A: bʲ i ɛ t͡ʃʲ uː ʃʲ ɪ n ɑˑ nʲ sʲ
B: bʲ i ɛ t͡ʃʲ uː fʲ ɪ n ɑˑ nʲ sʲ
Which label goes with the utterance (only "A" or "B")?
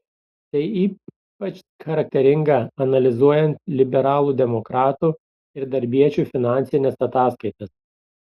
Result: B